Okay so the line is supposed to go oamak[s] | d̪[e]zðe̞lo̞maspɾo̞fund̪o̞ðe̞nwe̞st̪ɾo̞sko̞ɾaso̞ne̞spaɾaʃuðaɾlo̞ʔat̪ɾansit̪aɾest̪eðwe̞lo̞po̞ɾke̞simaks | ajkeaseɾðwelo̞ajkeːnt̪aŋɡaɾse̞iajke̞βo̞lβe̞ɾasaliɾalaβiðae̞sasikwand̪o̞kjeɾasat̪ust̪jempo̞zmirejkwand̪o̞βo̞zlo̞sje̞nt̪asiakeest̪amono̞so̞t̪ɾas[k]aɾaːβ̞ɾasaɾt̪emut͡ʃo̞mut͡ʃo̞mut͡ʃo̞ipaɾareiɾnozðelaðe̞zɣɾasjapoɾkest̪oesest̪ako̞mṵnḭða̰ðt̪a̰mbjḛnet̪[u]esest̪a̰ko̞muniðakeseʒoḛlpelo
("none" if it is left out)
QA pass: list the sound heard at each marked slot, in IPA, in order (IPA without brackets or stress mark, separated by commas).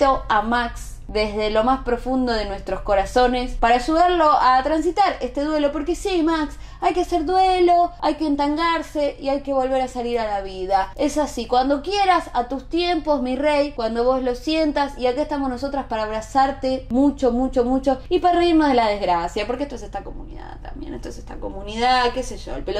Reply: s, e, p, o